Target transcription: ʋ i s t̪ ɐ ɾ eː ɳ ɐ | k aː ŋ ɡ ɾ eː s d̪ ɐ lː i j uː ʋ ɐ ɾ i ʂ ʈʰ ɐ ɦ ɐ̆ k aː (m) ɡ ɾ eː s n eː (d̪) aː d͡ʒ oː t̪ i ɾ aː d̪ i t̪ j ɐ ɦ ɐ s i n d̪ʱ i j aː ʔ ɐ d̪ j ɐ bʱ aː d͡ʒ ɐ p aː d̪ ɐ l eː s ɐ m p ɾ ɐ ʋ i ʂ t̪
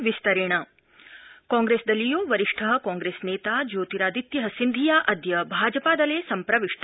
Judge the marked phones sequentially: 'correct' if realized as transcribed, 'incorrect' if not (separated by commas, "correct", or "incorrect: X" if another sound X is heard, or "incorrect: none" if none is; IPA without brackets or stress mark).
incorrect: ŋ, incorrect: t̪